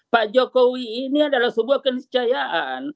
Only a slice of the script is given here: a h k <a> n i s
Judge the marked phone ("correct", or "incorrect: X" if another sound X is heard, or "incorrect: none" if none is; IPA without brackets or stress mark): incorrect: ə